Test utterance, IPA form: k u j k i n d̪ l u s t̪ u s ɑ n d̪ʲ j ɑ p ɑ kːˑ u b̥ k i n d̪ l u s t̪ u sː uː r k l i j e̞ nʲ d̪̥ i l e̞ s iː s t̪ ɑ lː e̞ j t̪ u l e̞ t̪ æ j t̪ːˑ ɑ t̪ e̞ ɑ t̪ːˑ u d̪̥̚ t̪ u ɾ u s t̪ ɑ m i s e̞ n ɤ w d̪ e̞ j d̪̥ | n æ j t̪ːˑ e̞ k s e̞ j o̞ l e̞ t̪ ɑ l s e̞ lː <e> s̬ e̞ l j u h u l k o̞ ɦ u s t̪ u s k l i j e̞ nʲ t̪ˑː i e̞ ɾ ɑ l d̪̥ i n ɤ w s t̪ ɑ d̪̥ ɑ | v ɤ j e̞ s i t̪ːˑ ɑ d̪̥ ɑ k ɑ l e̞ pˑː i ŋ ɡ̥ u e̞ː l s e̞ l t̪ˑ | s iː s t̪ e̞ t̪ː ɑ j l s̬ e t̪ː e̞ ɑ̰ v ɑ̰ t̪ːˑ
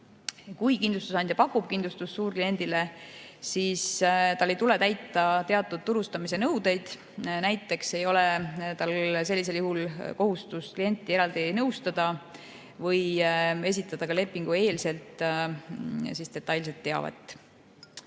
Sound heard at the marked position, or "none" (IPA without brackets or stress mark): i